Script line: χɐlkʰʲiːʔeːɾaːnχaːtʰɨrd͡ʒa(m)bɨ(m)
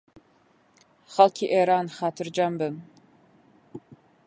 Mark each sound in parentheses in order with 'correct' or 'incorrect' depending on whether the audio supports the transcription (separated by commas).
correct, correct